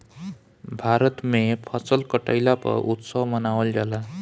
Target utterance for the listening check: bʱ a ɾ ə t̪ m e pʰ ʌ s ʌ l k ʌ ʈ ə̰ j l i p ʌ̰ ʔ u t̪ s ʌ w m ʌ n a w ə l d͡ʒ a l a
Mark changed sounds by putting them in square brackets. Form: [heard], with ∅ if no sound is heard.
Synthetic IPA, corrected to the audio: bʱ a ɾ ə t̪ m e pʰ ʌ s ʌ l k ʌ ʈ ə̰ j l [a] p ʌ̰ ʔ u t̪ s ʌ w m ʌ n a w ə l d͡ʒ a l a